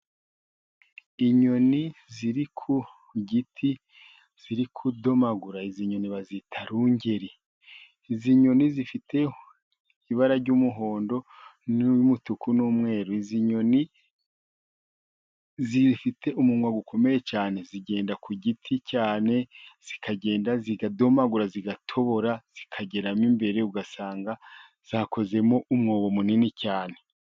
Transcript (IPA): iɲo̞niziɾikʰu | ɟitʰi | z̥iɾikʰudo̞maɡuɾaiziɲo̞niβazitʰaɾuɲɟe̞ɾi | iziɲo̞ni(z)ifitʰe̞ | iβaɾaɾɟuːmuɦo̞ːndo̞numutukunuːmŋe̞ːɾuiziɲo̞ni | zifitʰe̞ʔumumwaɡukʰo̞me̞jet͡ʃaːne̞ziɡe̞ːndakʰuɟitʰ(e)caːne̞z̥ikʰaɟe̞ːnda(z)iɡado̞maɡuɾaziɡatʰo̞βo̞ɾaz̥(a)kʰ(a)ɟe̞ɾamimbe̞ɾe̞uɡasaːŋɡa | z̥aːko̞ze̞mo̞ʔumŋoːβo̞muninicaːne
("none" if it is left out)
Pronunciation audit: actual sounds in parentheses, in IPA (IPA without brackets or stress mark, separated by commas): z, i, z, i, a